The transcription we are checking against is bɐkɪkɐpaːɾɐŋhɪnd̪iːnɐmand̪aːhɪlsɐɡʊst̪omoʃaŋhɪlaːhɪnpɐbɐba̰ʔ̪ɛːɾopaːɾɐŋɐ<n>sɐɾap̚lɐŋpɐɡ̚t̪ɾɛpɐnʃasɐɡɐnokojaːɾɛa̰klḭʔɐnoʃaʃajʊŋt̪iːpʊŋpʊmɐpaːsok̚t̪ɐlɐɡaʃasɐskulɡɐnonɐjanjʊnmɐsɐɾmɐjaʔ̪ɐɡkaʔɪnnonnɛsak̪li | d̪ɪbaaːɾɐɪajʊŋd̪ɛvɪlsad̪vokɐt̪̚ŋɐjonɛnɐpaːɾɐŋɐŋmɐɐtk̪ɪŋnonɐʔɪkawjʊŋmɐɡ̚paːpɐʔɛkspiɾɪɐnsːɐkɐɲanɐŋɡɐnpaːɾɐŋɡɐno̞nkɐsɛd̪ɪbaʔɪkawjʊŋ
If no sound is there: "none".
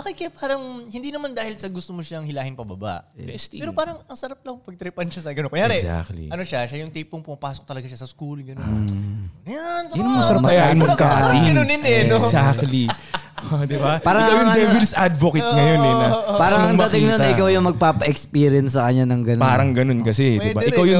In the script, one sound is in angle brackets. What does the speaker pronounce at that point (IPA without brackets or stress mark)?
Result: ŋ